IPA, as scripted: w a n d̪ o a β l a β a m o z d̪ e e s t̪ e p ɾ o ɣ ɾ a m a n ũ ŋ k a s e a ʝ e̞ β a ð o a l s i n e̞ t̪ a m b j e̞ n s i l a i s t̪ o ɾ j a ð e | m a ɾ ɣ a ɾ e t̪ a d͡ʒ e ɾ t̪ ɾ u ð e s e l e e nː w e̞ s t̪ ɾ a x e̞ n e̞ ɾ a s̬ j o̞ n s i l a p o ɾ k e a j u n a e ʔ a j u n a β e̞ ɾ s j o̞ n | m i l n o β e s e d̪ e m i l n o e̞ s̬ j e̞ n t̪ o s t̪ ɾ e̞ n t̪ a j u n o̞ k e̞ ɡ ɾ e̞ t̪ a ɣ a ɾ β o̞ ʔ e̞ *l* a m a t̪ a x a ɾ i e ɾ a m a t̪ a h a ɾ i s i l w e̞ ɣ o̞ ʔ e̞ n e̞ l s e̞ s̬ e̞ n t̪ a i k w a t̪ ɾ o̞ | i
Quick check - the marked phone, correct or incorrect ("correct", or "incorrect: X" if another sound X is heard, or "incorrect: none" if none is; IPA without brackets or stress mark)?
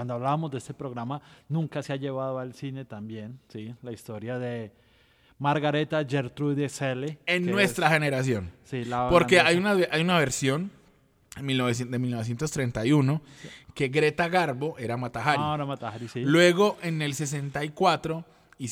incorrect: ɾ